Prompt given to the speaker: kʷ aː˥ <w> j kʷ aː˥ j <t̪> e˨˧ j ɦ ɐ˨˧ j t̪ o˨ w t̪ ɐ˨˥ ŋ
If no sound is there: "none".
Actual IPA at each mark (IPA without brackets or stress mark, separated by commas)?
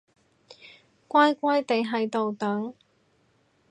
none, t̪